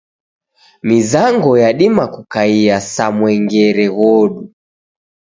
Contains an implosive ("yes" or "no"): yes